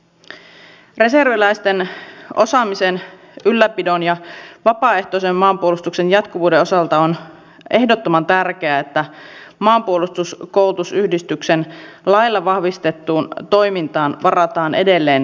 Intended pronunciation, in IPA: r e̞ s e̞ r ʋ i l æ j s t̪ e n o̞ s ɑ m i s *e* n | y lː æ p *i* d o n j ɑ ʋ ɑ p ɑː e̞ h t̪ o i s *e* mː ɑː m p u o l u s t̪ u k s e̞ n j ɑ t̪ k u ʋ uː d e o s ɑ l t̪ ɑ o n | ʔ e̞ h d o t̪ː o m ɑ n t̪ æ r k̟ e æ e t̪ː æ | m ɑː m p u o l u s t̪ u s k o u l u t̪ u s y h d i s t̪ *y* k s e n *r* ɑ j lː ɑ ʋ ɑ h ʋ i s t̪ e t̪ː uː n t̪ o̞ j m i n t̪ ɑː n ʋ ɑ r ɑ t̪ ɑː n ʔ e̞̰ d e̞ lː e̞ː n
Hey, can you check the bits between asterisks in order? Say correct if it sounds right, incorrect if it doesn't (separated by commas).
correct, correct, correct, correct, incorrect